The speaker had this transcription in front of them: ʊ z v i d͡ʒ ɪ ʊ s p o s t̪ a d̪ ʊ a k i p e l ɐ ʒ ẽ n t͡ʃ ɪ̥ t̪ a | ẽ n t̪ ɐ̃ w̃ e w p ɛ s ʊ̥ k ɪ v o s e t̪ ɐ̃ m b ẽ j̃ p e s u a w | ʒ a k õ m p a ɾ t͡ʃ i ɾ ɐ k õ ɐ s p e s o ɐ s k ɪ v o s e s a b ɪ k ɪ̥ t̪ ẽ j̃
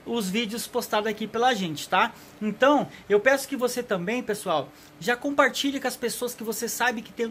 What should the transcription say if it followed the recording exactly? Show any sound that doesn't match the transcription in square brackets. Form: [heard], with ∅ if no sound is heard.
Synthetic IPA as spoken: ʊ z v i d͡ʒ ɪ ʊ s p o s t̪ a d̪ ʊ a k i p e l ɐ ʒ ẽ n t͡ʃ ɪ̥ t̪ a | ẽ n t̪ ɐ̃ w̃ e w p ɛ s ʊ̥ k ɪ v o s e t̪ ɐ̃ m b ẽ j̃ p e s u a w | ʒ a k õ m p a ɾ t͡ʃ i [ʎ] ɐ k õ ɐ s p e s o ɐ s k ɪ v o s e s a b ɪ k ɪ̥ t̪ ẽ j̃